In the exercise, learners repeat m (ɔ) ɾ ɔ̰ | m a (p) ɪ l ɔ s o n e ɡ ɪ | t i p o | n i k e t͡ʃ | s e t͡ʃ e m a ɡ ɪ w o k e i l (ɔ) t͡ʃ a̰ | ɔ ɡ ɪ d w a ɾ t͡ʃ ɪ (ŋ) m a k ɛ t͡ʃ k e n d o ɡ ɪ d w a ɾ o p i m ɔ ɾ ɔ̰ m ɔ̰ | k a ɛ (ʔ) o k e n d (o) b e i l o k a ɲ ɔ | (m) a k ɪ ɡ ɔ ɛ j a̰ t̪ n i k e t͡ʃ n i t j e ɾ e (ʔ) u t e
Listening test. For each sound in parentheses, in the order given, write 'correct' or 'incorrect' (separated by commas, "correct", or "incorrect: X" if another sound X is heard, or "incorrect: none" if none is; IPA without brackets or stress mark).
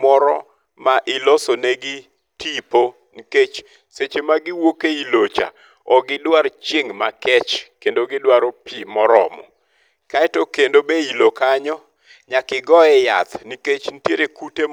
correct, incorrect: ʔ, incorrect: o, correct, incorrect: t, correct, incorrect: ɲ, incorrect: k